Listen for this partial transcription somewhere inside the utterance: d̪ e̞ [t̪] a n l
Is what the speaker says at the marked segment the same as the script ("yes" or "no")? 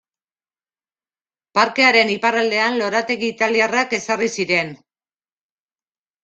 no